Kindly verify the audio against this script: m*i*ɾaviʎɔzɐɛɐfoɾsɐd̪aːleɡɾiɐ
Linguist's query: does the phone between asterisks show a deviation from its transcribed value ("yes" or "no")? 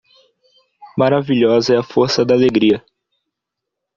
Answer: yes